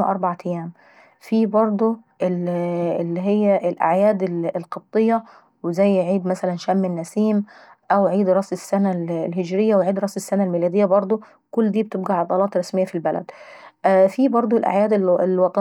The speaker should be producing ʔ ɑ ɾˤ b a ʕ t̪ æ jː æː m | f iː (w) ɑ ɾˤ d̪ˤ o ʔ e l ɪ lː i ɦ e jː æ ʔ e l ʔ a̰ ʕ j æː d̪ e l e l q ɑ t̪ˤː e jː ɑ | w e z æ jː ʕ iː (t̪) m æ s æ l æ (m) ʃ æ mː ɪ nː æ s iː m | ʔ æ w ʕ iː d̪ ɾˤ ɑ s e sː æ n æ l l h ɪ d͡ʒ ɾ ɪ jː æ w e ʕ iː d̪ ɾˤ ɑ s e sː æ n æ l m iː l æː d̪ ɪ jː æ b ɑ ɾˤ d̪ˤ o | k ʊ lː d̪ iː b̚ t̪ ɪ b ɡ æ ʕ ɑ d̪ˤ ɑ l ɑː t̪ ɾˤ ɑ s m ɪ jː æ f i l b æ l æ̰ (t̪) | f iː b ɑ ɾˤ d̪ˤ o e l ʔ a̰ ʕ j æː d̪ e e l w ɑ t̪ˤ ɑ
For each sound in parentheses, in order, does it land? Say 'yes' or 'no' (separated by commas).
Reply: no, no, no, no